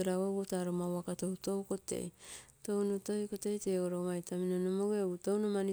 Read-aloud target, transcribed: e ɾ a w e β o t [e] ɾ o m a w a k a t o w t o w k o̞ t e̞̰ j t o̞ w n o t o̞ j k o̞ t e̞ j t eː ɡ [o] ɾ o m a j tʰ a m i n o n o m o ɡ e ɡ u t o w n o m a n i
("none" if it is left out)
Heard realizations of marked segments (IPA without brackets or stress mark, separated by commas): a, o